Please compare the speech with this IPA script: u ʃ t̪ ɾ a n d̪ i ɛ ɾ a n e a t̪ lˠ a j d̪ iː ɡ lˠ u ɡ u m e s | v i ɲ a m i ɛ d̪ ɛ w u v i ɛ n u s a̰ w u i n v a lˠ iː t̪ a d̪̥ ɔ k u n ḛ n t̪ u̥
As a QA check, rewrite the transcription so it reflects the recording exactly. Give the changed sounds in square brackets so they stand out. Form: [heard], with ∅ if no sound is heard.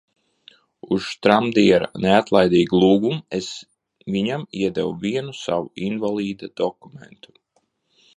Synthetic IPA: u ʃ t̪ ɾ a [m] d̪ i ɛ ɾ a n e a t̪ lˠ a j d̪ iː ɡ lˠ [uː] ɡ u m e s | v i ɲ a m i ɛ d̪ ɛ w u v i ɛ n u s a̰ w u i n v a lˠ iː [d̪] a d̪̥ ɔ k u [m] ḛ n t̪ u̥